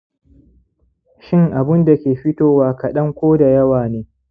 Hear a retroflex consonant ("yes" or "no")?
no